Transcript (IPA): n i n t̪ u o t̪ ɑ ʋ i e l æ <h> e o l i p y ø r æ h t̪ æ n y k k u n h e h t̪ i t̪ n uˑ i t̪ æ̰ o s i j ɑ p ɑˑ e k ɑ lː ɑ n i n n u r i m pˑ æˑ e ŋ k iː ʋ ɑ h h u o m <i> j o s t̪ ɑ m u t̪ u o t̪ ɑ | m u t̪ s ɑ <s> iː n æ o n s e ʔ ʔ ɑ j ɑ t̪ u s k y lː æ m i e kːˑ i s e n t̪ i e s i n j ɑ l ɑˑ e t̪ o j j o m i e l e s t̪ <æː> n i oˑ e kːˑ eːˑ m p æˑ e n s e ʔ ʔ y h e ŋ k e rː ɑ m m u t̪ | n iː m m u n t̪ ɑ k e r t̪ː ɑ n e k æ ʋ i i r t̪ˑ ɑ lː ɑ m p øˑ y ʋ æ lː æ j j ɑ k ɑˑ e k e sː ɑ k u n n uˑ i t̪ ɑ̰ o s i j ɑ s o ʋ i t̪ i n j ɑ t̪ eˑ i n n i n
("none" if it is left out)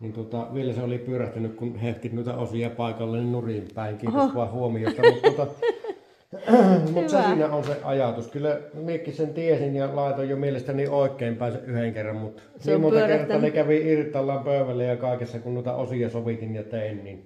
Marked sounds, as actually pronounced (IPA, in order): s, i, s, æ

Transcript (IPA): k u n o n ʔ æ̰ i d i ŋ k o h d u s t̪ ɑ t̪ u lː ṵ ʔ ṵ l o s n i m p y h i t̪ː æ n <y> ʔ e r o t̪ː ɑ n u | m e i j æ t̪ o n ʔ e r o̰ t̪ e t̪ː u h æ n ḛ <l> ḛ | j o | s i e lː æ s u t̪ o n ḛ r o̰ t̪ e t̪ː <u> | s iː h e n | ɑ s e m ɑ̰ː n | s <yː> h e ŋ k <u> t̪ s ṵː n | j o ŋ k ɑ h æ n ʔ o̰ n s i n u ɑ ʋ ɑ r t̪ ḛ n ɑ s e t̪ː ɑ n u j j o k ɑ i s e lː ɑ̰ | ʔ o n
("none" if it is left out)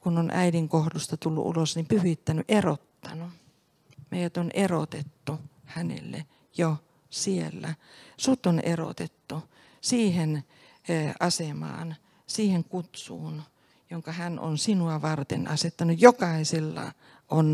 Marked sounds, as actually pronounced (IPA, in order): y, lː, u, iː, u

